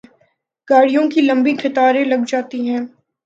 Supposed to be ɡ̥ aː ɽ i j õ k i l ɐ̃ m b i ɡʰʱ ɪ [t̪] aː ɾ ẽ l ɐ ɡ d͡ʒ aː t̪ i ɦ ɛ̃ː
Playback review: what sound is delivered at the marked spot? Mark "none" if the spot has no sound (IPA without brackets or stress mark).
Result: t̪